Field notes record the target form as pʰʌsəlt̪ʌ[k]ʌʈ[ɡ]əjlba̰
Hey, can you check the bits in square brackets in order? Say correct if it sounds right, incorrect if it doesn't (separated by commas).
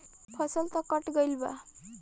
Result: correct, correct